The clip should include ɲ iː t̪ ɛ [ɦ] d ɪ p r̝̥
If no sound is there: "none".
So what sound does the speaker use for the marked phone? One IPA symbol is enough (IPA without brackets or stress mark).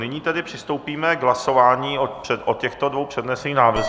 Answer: none